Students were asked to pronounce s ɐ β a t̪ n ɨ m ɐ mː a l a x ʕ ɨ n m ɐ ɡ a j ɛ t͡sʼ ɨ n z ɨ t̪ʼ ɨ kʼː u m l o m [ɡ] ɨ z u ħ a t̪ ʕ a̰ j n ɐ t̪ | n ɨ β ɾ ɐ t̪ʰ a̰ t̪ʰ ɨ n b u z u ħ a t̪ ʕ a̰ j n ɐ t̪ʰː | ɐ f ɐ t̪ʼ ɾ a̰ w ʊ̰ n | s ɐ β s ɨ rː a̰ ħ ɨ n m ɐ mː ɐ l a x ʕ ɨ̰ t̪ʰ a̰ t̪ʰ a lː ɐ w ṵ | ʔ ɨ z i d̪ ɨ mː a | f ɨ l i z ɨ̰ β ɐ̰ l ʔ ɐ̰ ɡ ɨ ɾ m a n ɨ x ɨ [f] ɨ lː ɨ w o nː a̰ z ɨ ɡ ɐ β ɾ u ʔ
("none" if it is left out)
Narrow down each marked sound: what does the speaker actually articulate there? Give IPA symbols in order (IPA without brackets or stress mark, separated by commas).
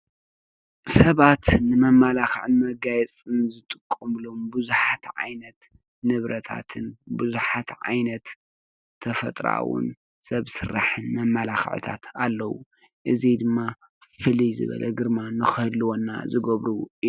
b, h